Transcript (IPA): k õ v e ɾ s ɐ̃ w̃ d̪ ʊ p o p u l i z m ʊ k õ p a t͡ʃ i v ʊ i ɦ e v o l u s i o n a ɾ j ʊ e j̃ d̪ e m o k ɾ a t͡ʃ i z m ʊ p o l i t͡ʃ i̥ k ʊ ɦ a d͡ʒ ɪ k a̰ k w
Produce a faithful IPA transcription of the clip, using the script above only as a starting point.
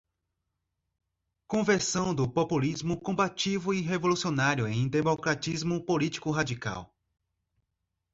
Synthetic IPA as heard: k õ v e ɾ s ɐ̃ w̃ d̪ ʊ p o p u l i z m ʊ k õ b a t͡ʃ i v ʊ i ɦ e v o l u s i o n a ɾ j ʊ ẽ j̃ d̪ e m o k ɾ a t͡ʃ i z m ʊ p o l i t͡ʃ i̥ k ʊ ɦ a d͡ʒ i k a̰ w